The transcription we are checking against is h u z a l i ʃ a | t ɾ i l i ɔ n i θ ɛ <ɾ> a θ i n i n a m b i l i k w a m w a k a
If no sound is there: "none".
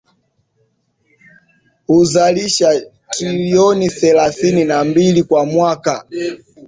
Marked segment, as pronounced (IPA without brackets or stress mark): l